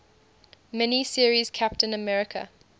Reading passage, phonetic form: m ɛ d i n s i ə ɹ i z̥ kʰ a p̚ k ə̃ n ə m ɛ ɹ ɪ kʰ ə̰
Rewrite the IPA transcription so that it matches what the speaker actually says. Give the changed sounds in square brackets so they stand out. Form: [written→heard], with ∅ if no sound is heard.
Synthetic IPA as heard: m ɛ [d→n] i [n→∅] s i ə ɹ i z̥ kʰ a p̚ [k→t] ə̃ n ə m ɛ ɹ ɪ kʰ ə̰